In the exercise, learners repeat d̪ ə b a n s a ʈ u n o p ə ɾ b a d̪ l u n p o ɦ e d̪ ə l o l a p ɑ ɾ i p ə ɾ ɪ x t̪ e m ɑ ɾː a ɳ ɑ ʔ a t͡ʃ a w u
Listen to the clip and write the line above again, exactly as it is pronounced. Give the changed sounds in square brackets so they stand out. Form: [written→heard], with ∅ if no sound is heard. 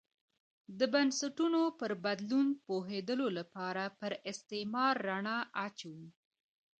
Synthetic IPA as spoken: d̪ ə b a n s a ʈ u n o p ə ɾ b a d̪ l u n p o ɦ e d̪ ə l o l a p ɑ ɾ [i→a] p ə ɾ ɪ [x→s] t̪ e m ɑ ɾː a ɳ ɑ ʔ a t͡ʃ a w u